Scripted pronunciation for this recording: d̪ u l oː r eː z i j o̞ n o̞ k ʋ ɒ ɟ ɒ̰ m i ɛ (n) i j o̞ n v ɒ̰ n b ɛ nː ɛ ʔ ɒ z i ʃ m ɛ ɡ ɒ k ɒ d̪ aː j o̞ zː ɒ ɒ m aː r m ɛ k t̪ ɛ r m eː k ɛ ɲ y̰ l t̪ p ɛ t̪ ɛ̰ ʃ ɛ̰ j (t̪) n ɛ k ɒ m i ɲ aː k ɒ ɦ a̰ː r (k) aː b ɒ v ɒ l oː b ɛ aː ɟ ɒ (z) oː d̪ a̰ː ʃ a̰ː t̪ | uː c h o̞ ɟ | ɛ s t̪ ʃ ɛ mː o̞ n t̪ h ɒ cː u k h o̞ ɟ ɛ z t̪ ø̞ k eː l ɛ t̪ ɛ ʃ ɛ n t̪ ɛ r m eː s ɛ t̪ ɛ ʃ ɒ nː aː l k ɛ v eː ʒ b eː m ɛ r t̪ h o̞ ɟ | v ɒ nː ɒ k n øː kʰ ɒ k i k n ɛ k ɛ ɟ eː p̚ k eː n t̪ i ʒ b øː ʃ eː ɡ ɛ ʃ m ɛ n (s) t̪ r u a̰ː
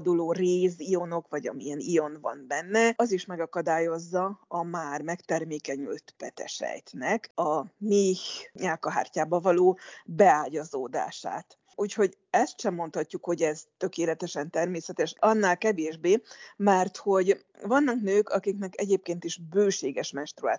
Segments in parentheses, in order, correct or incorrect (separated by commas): correct, correct, incorrect, correct, incorrect